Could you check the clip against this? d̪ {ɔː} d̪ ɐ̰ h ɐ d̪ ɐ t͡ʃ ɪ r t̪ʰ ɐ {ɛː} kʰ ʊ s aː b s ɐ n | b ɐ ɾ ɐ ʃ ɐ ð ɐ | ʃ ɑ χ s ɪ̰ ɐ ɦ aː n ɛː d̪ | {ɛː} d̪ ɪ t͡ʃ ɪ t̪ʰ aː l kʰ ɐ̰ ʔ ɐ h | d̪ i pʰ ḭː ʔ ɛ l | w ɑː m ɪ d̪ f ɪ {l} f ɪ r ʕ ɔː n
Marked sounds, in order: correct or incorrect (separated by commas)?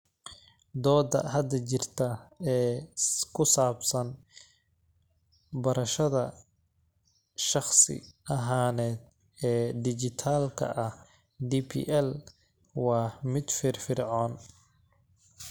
correct, correct, correct, incorrect